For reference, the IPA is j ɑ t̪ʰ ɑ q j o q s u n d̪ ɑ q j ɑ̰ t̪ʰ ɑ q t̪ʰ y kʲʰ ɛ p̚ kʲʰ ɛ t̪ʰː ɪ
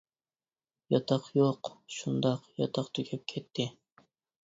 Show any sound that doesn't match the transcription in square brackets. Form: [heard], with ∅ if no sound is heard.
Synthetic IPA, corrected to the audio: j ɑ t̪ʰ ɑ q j o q [ʃ] u n d̪ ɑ q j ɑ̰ t̪ʰ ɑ q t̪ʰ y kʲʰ ɛ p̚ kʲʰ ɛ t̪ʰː ɪ